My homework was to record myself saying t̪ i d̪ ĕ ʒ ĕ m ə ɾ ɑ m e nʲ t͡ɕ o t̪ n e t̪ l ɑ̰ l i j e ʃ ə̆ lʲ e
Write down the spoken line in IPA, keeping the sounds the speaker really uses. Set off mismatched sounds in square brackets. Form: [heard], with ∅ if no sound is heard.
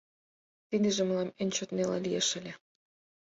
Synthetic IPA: t̪ i d̪ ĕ ʒ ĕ m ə [l] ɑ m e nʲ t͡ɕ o t̪ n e [∅] l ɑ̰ l i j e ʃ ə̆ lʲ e